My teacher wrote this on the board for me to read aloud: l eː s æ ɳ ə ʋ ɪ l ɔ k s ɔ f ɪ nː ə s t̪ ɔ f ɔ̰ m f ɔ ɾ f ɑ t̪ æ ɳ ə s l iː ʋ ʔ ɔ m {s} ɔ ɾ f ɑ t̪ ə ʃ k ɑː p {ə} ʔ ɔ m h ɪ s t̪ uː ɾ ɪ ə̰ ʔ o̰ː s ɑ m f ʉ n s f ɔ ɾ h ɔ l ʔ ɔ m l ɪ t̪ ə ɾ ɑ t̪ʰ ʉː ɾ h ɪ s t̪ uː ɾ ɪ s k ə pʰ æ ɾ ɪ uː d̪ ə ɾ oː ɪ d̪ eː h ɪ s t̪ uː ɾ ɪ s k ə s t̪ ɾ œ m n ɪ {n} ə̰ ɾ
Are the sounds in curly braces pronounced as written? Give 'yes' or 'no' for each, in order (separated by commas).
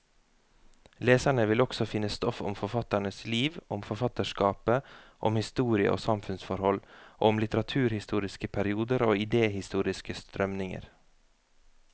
no, yes, no